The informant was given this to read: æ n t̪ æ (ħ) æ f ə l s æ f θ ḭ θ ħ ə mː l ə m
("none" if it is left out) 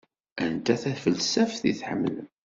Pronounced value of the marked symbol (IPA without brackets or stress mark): θ